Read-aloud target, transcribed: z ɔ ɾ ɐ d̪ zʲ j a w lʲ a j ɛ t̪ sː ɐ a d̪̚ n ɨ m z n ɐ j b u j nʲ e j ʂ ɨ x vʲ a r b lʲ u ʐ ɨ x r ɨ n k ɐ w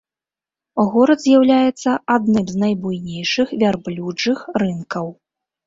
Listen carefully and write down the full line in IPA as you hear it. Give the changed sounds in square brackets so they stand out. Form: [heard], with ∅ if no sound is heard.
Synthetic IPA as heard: [ɣ] ɔ ɾ ɐ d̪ zʲ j a w lʲ a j ɛ t̪ sː ɐ a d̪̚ n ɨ m z n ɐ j b u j nʲ e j ʂ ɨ x vʲ a r b lʲ u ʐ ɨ x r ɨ n k ɐ w